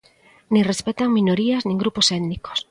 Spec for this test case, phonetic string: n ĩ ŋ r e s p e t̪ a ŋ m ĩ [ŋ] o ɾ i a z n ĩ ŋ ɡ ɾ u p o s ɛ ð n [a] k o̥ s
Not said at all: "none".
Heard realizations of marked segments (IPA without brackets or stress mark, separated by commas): n, i